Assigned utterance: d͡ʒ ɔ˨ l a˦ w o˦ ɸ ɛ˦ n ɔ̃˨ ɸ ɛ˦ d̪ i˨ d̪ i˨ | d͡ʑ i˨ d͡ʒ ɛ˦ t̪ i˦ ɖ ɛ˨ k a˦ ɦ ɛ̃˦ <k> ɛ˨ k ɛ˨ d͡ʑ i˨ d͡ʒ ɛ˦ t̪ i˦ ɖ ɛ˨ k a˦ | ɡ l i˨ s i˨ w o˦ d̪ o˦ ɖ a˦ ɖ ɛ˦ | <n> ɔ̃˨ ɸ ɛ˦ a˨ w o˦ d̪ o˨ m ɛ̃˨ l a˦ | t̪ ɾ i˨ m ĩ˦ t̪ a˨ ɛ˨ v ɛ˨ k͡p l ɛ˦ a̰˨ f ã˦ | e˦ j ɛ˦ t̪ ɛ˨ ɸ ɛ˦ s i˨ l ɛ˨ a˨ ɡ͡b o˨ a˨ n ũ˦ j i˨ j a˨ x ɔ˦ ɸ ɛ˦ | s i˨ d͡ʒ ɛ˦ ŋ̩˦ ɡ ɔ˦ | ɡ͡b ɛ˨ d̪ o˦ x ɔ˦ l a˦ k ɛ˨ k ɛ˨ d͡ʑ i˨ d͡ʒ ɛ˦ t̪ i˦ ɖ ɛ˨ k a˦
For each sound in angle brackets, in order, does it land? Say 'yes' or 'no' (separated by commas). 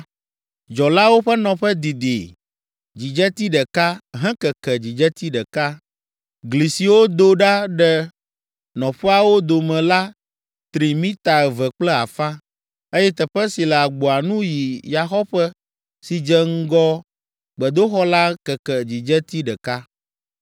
yes, yes